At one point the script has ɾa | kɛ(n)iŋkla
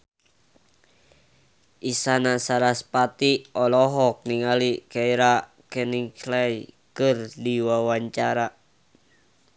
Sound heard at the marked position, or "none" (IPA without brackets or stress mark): n